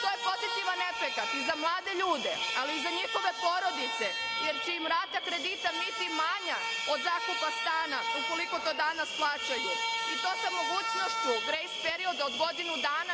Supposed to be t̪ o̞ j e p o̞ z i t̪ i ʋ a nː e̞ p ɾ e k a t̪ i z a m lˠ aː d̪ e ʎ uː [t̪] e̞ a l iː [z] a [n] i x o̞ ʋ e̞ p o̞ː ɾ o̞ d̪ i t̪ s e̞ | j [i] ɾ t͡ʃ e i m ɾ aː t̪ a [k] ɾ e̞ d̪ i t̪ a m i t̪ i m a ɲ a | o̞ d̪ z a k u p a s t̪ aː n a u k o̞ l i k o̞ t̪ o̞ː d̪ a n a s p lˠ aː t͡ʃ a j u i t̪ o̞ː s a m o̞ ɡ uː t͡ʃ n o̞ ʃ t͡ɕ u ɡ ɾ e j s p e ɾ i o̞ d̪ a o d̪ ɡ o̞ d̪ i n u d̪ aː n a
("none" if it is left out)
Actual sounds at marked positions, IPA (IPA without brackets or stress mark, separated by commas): d̪, z, ɲ, e, k